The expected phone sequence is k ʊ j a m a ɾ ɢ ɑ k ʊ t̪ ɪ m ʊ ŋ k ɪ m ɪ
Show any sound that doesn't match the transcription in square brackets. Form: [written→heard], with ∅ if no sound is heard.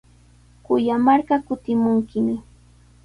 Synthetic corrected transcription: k ʊ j a m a ɾ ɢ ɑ k ʊ t̪ ɪ m ʊ ŋ k ɪ m ɪ